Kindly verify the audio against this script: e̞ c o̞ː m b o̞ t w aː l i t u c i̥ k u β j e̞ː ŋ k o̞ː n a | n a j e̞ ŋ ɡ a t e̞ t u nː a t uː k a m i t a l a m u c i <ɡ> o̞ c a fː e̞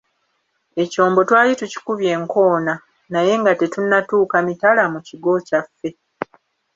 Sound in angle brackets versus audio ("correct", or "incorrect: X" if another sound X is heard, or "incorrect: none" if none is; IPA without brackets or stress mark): correct